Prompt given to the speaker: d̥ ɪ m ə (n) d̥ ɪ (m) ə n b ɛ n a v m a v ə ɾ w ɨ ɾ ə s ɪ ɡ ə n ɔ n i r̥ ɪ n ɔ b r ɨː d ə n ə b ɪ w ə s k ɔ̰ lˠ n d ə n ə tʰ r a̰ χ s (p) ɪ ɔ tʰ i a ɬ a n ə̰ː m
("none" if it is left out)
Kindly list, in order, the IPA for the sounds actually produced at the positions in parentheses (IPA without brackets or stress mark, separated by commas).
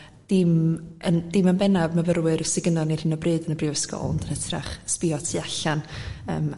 n, m, p